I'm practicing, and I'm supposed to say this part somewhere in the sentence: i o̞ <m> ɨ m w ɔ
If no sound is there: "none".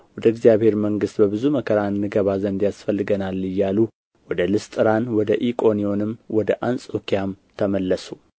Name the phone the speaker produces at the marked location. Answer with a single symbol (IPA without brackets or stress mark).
n